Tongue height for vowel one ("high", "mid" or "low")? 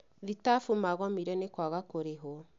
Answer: high